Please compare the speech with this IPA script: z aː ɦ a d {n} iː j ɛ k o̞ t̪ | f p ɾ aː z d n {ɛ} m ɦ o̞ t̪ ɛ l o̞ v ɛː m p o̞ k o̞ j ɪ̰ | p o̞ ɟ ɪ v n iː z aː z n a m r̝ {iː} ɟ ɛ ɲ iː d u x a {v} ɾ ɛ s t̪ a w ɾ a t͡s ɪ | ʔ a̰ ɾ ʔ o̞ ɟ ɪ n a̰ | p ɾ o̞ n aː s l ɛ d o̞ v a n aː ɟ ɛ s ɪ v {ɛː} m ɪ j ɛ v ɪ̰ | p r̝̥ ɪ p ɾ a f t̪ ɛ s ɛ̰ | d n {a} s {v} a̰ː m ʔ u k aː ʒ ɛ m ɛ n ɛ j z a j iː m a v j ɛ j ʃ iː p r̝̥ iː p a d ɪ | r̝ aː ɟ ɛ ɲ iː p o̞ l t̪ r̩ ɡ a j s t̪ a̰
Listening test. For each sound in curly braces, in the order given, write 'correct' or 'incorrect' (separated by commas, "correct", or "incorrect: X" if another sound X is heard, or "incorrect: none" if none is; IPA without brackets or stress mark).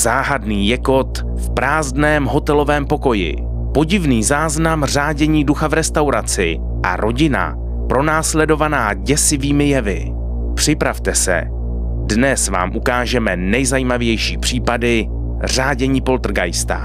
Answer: correct, incorrect: ɛː, incorrect: aː, correct, incorrect: iː, incorrect: ɛ, correct